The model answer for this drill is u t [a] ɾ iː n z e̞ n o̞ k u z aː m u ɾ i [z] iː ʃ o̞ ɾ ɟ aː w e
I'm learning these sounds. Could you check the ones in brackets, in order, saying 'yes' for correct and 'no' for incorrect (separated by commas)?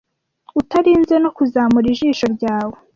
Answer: yes, no